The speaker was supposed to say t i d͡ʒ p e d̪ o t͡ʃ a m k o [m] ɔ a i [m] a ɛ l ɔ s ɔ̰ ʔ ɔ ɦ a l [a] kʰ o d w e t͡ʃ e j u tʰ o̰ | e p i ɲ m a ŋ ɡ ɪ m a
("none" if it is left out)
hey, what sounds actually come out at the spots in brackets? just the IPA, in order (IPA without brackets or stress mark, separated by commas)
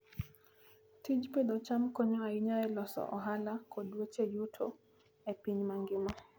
ɲ, ɲ, a